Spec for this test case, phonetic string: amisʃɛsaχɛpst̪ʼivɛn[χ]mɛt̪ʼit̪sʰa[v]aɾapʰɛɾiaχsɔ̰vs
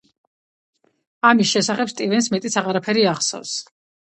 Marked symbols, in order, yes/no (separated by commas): no, no